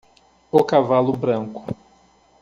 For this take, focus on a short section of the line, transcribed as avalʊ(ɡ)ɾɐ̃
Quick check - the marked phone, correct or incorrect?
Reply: incorrect